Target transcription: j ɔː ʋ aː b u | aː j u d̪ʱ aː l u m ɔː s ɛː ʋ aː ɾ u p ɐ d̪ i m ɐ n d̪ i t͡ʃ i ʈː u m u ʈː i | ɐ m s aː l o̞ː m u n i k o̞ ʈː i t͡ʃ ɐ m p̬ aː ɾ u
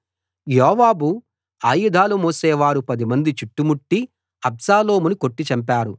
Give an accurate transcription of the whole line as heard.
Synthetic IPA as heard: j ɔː ʋ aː b u | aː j u d̪ʱ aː l u m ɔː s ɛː ʋ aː ɾ u p ɐ d̪ i m ɐ n d̪ i t͡ʃ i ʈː u m u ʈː i | ɐ b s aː l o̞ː m u n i k o̞ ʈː i t͡ʃ ɐ m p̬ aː ɾ u